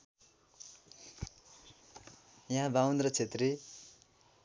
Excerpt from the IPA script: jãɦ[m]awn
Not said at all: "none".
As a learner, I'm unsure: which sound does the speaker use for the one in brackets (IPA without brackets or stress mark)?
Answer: b